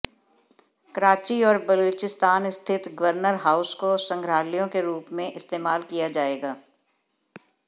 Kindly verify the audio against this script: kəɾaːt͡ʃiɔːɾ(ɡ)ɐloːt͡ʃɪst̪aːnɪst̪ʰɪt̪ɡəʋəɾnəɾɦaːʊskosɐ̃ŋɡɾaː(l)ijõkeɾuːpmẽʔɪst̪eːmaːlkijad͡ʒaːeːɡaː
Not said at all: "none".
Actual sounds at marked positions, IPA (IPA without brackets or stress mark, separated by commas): b, l